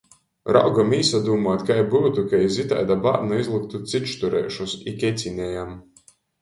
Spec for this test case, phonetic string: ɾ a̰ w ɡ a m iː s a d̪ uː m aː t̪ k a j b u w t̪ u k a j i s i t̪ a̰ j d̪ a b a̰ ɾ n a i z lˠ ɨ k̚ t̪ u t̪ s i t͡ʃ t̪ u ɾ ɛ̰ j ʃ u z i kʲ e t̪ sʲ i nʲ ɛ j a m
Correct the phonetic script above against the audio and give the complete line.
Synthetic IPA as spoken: ɾ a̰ w ɡ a m iː s a d̪ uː m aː t̪ k a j b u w t̪ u k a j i z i t̪ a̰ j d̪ a b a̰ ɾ n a i z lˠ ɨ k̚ t̪ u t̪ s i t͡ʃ t̪ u ɾ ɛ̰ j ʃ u s i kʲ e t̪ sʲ i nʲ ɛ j a m